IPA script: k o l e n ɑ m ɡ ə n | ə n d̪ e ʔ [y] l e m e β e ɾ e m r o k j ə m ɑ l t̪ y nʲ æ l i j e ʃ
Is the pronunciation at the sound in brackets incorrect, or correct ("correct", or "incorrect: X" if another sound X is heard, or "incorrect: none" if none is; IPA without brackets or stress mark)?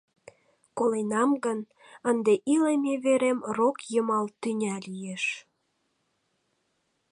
incorrect: i